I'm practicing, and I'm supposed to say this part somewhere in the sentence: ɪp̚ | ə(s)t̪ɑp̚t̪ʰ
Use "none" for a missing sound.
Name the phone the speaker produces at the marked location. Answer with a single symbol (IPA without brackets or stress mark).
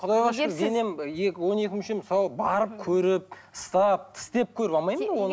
s